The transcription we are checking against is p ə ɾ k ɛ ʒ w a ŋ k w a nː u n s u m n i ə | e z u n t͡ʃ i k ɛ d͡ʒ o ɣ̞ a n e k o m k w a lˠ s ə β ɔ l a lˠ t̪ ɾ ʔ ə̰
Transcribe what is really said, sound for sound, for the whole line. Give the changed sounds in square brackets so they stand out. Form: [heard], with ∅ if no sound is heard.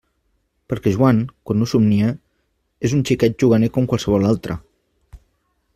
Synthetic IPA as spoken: p ə ɾ k ɛ ʒ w a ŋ k w a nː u [∅] s u m n i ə | e z u n t͡ʃ i k ɛ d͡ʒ [u] ɣ̞ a n e k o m k w a lˠ s ə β ɔ l a lˠ t̪ ɾ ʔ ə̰